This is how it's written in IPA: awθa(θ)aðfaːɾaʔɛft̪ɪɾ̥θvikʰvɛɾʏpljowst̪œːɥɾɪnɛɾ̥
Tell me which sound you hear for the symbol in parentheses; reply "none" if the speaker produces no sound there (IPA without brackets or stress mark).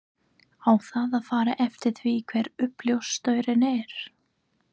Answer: ð